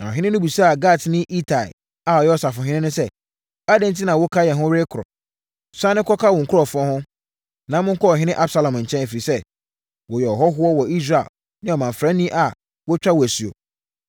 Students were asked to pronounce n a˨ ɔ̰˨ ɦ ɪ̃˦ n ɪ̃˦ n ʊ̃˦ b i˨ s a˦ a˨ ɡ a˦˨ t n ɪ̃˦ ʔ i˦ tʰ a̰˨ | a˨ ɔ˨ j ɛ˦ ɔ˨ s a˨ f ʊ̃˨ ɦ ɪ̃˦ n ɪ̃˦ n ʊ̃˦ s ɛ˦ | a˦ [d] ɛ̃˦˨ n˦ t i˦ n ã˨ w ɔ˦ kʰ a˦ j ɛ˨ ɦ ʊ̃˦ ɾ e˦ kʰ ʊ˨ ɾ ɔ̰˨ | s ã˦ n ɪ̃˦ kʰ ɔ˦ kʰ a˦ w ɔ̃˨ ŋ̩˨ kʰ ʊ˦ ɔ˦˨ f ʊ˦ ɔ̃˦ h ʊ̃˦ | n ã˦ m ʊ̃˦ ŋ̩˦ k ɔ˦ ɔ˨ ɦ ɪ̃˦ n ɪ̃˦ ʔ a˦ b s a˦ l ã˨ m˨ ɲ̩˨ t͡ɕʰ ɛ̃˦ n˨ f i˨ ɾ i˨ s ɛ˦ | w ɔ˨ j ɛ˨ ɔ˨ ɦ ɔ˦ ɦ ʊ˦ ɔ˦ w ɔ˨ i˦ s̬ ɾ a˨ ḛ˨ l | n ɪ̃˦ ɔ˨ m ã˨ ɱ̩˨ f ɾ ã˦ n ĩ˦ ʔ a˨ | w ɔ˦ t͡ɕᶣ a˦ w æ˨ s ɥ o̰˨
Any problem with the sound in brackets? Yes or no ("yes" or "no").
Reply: no